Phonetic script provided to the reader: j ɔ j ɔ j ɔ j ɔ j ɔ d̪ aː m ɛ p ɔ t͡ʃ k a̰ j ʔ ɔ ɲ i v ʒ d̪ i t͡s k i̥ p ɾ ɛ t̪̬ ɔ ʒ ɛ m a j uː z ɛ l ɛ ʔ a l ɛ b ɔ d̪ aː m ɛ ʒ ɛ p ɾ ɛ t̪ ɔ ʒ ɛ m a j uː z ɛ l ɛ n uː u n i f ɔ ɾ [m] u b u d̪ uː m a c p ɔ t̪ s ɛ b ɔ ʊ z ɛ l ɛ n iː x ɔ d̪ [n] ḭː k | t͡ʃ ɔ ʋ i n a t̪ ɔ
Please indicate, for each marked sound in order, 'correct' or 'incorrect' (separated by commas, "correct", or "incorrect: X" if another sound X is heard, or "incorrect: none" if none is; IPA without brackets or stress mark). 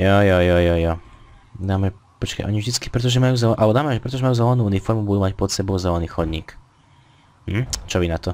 correct, incorrect: ɲ